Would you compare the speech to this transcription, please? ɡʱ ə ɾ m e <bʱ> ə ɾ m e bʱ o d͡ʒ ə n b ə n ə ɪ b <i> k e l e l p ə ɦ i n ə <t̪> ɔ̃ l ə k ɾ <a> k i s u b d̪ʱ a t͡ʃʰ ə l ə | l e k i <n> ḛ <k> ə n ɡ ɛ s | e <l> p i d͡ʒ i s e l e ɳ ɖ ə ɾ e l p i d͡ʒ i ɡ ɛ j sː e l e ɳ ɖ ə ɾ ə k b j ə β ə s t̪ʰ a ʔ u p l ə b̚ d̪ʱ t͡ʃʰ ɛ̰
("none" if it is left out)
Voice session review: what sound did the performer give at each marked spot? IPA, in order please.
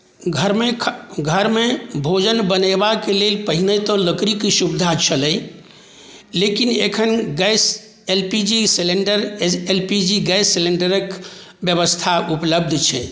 ɡʱ, a, t̪, i, n, kʰ, l

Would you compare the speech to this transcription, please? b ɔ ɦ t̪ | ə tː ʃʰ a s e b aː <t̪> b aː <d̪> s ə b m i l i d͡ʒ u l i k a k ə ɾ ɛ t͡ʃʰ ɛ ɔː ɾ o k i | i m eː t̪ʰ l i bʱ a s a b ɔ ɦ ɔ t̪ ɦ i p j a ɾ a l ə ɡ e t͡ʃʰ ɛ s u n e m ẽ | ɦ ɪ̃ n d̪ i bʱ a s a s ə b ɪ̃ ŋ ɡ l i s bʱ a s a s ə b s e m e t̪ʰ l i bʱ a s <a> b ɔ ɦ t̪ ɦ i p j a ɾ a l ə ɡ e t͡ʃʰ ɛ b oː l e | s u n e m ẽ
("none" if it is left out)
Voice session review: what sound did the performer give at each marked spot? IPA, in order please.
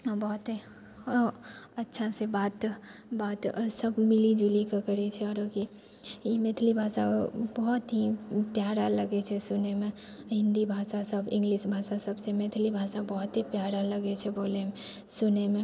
t̪, t̪, a

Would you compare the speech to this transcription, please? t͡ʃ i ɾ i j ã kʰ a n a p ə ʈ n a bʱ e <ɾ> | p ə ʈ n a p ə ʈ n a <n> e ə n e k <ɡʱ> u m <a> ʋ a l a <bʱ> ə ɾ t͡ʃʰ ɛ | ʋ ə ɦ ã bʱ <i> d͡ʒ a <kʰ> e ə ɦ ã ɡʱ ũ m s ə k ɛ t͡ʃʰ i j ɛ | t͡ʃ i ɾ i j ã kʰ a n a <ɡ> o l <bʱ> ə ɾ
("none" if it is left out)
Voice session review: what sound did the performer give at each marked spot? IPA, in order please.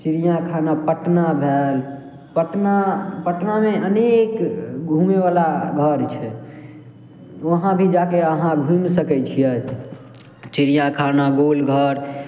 l, m, ɡʱ, e, ɡʱ, i, k, ɡ, ɡʱ

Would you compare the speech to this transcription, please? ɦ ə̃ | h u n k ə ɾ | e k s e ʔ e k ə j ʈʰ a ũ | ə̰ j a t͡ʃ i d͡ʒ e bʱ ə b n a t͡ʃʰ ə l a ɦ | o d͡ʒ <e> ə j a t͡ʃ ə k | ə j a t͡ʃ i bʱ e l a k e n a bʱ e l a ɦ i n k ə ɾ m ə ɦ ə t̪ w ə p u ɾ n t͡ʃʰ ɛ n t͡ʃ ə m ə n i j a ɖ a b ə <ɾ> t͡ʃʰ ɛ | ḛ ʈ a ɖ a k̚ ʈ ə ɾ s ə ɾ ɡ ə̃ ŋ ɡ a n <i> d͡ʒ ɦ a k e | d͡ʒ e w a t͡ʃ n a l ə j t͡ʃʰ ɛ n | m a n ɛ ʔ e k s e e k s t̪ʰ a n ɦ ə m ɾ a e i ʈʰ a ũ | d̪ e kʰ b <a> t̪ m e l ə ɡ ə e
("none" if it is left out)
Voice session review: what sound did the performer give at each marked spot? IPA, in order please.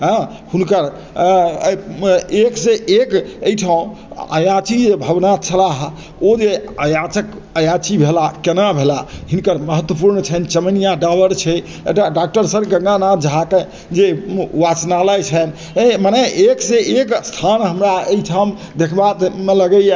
e, ɾ, a, a

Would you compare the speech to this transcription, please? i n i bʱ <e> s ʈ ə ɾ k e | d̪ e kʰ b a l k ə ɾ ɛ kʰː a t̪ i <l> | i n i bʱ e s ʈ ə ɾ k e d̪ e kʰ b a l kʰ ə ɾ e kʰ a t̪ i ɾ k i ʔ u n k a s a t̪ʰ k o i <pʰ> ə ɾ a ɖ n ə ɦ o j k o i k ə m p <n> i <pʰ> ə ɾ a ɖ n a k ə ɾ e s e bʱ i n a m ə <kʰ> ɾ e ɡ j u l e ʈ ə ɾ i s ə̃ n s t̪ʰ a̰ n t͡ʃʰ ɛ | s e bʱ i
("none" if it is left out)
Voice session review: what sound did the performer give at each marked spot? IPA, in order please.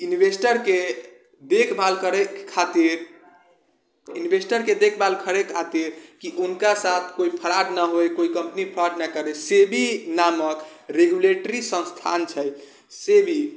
e, ɾ, pʰ, n, pʰ, k

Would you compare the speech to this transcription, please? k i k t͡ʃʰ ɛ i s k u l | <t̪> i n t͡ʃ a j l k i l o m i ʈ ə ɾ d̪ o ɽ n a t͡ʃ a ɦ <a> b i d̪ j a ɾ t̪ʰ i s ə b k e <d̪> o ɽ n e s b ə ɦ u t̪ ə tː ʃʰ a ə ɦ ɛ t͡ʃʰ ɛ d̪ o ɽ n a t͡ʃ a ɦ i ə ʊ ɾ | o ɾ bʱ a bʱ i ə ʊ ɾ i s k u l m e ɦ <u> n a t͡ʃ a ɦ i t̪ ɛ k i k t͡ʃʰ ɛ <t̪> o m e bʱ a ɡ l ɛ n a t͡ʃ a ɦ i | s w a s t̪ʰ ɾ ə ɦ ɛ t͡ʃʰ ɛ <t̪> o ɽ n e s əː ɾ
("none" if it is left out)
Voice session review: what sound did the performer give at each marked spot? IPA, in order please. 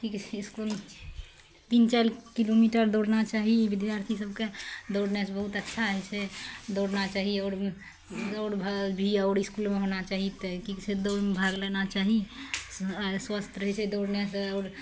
t̪, i, d̪, o, d̪, d̪

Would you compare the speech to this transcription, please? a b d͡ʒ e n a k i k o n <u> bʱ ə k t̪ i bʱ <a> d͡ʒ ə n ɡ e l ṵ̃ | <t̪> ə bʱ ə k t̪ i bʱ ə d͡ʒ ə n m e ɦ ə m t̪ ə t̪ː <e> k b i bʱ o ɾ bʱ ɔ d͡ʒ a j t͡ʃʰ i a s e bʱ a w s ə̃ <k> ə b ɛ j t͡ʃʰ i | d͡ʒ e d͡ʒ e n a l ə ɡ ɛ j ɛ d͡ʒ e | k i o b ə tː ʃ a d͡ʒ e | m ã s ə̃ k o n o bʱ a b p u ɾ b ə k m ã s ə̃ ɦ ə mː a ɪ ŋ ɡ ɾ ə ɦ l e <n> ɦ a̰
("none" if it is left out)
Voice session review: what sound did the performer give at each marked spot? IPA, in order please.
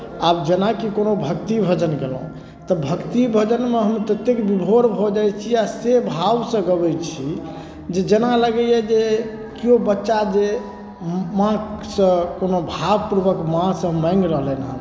o, ə, t̪, e, ɡ, n

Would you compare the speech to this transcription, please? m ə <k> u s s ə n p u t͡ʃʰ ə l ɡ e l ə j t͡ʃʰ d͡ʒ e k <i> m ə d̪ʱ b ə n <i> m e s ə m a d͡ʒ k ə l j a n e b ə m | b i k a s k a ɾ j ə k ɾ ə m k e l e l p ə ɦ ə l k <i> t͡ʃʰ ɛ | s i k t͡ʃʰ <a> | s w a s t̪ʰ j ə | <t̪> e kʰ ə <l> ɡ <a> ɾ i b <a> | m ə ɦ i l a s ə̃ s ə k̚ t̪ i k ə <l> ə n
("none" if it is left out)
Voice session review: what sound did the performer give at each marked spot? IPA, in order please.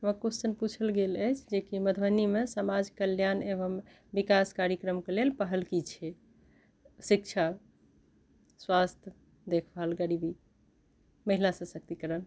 k, i, i, i, a, d̪, l, ə, i, ɾ

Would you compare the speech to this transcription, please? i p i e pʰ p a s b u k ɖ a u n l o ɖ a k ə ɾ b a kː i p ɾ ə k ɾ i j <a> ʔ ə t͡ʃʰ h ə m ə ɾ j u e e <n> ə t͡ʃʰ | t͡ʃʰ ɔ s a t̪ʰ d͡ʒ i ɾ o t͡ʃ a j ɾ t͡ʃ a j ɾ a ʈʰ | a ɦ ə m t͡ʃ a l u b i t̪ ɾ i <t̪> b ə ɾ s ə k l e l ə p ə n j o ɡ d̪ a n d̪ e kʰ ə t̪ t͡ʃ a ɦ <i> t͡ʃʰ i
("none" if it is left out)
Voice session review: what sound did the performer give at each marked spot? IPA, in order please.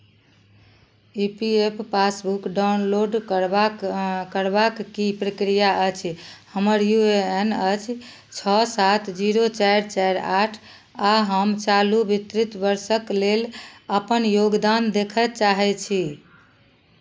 a, n, t̪, ɛ

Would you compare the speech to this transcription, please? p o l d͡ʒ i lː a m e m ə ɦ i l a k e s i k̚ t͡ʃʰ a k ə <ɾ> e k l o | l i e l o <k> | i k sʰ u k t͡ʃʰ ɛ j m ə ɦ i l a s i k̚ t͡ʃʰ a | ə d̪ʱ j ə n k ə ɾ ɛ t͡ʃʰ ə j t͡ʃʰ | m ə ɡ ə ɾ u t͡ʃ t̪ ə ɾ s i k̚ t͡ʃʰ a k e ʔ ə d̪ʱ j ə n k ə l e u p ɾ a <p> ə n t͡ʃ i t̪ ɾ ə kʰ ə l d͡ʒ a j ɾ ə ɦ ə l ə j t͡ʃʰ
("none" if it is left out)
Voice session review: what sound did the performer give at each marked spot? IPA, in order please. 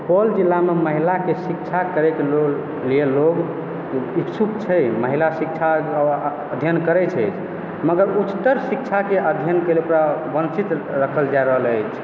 ɾ, ɡ, b

